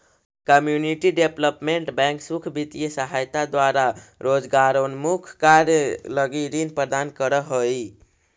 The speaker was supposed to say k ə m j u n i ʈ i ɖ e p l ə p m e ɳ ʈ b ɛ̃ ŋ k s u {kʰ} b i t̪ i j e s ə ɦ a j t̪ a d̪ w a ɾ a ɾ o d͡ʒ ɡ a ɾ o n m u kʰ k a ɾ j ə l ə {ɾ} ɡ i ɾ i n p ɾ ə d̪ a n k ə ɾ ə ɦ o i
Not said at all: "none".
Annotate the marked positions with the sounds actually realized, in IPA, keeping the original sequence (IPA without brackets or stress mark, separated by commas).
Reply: kʰ, none